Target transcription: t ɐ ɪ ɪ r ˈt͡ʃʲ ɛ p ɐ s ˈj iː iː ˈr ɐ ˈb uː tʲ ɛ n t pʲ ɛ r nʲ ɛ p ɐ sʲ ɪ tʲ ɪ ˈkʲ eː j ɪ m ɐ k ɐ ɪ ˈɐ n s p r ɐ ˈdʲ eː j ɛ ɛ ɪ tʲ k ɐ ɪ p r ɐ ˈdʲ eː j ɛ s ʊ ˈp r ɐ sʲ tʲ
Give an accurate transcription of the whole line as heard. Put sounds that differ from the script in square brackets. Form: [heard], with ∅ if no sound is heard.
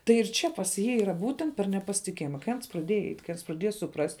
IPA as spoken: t ɐ ɪ ɪ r ˈt͡ʃʲ ɛ p ɐ s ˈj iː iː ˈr ɐ ˈb uː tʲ ɛ n t pʲ ɛ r nʲ ɛ p ɐ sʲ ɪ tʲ ɪ ˈkʲ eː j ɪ m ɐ k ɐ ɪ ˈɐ n s p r ɐ ˈdʲ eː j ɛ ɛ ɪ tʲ k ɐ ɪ p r ɐ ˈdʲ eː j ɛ s ʊ ˈp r ɐ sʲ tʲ